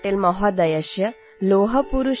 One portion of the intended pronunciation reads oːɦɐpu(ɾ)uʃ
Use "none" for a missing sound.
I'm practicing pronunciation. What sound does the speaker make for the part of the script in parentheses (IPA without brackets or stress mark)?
ɾ